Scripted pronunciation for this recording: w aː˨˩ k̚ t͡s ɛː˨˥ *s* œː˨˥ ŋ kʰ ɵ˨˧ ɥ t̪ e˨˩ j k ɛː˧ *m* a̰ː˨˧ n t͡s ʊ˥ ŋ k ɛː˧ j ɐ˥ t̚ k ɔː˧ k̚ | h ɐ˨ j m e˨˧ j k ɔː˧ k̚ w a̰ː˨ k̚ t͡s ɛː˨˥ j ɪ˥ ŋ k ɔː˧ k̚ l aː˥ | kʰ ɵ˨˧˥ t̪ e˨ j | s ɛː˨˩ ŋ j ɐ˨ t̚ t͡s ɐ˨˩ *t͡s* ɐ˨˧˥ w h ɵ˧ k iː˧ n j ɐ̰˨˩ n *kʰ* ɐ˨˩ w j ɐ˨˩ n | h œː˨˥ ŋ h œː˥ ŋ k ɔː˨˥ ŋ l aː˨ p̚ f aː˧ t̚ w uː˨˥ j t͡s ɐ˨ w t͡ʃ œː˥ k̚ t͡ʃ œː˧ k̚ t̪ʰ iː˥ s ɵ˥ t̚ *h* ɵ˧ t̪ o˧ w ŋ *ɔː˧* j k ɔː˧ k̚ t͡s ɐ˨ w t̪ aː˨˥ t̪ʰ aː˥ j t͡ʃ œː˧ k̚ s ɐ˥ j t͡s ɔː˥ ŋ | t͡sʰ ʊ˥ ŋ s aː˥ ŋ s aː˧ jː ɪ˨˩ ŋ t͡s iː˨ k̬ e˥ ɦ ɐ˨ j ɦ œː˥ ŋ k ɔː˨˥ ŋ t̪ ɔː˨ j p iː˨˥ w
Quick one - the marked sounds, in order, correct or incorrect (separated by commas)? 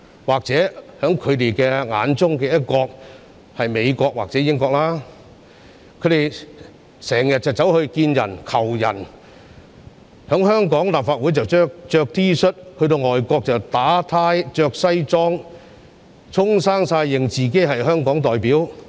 incorrect, incorrect, correct, correct, correct, incorrect